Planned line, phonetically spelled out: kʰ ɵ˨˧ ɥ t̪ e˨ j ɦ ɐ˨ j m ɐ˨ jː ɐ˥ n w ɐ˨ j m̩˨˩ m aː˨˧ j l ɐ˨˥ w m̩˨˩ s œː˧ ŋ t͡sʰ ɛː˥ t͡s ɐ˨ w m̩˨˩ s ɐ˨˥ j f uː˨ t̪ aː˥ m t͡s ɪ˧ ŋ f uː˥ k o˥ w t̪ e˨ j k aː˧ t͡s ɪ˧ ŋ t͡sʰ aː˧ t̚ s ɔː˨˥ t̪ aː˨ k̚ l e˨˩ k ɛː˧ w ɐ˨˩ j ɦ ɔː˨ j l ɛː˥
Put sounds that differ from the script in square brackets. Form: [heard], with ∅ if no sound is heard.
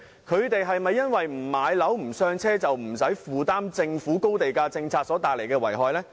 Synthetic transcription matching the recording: kʰ ɵ˨˧ ɥ t̪ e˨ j ɦ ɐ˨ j m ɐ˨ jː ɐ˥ n w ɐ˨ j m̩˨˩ m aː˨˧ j l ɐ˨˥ w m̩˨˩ s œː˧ ŋ t͡sʰ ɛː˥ t͡s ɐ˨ w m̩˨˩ s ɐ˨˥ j f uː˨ t̪ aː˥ m t͡s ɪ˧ ŋ f [uː˨˥] k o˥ w t̪ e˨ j k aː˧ t͡s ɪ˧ ŋ t͡sʰ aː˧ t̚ s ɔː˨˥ t̪ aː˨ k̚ l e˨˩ k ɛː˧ w ɐ˨˩ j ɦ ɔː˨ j l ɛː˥